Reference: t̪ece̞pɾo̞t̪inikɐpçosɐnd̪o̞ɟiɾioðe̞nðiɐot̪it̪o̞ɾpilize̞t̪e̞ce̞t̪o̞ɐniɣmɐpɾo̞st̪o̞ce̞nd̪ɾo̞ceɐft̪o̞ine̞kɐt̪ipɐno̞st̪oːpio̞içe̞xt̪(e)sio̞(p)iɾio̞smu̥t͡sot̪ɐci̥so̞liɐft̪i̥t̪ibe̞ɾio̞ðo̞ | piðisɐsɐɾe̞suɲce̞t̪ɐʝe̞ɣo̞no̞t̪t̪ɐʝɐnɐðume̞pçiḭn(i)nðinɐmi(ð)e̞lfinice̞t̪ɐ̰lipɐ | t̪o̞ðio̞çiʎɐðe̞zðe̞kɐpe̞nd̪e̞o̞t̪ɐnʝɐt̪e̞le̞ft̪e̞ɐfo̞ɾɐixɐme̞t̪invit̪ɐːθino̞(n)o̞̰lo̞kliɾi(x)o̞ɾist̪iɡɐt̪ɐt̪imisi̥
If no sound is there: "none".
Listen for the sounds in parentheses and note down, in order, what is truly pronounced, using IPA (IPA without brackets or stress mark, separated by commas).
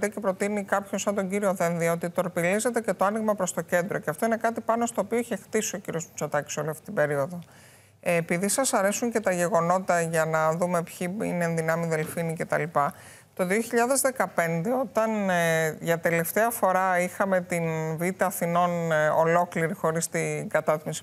i, c, e, ð, n, x